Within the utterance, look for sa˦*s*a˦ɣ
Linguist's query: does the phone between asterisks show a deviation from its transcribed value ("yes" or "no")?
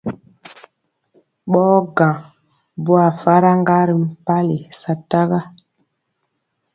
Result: yes